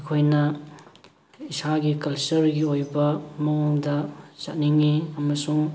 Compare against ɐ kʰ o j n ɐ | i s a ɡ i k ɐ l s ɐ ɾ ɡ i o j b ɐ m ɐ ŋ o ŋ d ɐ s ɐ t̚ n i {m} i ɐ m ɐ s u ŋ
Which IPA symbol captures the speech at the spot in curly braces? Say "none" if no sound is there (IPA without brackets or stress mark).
ŋ